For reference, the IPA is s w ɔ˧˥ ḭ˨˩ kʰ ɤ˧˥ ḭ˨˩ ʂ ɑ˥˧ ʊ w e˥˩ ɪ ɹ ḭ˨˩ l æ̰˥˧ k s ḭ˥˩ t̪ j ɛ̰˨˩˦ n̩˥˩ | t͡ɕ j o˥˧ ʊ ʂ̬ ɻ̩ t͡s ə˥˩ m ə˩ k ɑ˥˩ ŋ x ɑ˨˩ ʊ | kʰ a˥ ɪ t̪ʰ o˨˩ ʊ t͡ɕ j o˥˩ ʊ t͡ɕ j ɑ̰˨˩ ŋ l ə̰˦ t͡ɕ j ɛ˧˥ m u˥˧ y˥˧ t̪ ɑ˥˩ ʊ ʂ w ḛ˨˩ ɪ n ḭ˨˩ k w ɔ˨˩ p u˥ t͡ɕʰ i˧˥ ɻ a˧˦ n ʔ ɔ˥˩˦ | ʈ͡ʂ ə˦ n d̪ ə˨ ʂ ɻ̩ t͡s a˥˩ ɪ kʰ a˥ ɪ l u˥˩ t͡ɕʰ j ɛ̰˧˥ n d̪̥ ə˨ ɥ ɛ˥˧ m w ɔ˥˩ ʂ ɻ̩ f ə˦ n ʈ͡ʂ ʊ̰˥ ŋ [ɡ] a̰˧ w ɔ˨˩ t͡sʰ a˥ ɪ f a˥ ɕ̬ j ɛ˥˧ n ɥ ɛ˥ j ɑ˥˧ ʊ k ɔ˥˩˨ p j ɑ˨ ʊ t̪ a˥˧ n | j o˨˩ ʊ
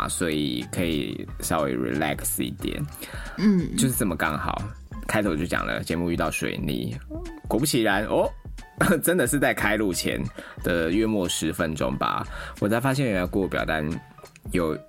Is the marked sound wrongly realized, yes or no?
yes